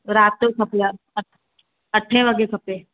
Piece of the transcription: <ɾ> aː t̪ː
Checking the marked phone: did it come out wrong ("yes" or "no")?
no